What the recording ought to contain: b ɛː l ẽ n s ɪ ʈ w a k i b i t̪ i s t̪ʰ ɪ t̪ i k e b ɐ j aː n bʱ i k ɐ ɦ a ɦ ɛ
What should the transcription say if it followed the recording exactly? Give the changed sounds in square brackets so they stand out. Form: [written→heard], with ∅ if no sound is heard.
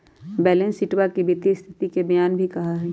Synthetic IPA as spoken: b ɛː l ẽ n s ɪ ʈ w a k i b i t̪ i s t̪ʰ ɪ t̪ i k e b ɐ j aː n bʱ i k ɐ ɦ a ɦ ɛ